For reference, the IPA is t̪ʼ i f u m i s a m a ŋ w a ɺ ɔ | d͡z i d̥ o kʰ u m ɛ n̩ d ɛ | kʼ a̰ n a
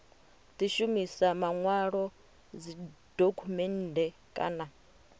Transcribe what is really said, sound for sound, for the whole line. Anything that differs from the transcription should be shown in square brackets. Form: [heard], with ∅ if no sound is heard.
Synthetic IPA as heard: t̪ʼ i [ʃ] u m i s a m a ŋ w a ɺ ɔ | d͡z i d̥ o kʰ u m ɛ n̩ d ɛ | kʼ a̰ n a